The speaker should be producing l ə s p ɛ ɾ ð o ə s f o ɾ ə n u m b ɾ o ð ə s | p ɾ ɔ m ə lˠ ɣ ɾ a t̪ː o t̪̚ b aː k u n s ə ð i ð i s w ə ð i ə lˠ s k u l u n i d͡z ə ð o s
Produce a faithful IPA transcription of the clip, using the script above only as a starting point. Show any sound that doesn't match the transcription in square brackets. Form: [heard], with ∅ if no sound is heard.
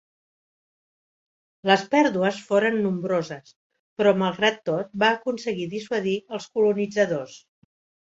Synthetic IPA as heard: l ə s p ɛ ɾ ð [u] ə s f o ɾ ə [nː] u m b ɾ o [z] ə s | p ɾ ɔ m ə lˠ ɣ ɾ a t̪ː o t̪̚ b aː k u n s ə [ɣ] i ð i s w ə ð i ə lˠ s k u l u n i d͡z ə ð o s